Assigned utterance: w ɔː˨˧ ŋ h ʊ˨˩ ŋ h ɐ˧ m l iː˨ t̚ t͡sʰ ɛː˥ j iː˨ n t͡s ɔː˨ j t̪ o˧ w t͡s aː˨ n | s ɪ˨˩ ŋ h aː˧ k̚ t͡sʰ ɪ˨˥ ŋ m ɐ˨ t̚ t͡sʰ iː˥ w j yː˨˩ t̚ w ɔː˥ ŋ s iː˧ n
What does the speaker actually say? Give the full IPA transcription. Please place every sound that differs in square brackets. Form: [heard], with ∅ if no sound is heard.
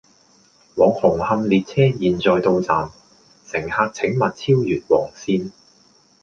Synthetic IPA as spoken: w ɔː˨˧ ŋ h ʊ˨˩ ŋ h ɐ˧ m l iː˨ t̚ t͡sʰ ɛː˥ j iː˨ n t͡s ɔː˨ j t̪ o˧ w t͡s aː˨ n | s ɪ˨˩ ŋ h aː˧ k̚ t͡sʰ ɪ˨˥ ŋ m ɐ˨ t̚ t͡sʰ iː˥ w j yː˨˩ t̚ w [ɔː˨˩] ŋ s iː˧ n